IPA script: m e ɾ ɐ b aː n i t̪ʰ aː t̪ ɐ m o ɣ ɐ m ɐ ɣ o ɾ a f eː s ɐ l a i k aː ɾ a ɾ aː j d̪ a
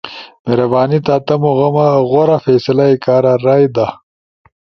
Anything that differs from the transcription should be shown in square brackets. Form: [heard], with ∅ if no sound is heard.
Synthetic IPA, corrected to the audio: m e ɾ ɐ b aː n i [t̪] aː t̪ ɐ m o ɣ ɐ m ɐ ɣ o ɾ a f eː s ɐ l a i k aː ɾ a ɾ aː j d̪ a